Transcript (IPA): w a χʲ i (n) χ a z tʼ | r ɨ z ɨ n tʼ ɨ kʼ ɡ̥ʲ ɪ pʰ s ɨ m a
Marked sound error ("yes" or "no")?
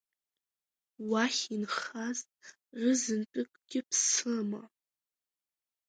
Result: no